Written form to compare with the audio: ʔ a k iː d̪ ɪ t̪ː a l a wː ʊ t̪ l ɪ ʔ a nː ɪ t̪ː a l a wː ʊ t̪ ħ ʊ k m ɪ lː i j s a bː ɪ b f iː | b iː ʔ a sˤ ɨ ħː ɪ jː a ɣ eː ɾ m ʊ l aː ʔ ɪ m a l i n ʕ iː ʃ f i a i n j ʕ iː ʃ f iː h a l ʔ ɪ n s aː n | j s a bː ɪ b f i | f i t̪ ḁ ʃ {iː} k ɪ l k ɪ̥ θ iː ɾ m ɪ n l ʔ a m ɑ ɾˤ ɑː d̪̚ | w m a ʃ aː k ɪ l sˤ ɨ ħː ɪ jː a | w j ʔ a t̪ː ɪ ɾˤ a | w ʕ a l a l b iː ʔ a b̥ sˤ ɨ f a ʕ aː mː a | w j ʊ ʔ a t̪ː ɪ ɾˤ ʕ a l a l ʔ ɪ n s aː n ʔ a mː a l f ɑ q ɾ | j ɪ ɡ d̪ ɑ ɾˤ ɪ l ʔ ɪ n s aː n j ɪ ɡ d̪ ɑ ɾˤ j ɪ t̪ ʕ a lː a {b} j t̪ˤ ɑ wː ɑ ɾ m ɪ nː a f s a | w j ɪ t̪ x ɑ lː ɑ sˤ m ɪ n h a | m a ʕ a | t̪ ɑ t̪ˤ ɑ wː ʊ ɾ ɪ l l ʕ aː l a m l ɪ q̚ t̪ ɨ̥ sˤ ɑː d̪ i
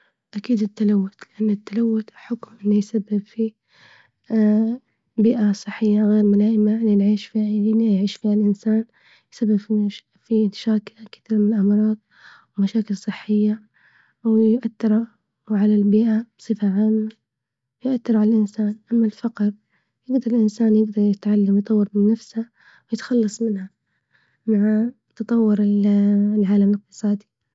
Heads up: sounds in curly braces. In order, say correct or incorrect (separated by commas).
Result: incorrect, incorrect